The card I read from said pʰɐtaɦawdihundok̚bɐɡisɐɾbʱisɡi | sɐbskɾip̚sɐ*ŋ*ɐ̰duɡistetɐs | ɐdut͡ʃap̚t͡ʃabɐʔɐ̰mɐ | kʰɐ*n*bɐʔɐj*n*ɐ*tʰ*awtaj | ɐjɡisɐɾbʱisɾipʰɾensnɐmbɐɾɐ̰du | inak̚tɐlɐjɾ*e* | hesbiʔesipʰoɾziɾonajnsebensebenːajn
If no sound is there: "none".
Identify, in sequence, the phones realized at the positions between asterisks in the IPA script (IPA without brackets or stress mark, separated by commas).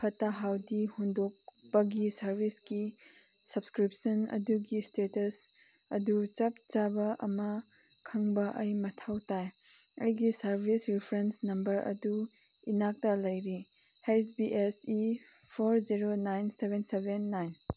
n, ŋ, m, tʰ, i